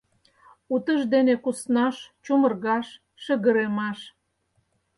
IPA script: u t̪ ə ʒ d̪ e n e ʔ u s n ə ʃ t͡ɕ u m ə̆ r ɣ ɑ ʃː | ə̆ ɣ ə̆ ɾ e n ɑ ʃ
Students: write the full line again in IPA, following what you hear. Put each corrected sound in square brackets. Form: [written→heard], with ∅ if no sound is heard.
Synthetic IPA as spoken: u t̪ ə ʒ d̪ e n e [ʔ→k] u s n [ə→ɑ] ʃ t͡ɕ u m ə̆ r ɣ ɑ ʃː | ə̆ ɣ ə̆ ɾ e [n→m] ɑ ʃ